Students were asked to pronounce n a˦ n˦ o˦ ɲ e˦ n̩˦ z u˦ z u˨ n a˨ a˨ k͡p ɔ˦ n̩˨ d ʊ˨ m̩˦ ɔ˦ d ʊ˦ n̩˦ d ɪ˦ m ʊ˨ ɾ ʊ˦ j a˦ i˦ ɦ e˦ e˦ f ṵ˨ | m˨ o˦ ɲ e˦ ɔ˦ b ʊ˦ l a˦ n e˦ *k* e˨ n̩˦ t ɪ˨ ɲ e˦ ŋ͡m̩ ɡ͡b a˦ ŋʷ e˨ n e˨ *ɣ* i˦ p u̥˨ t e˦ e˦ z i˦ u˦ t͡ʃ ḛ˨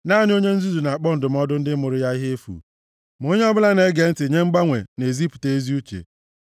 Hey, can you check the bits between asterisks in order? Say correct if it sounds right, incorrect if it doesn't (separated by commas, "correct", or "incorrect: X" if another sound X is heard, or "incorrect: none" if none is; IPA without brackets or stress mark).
incorrect: ɡ, incorrect: z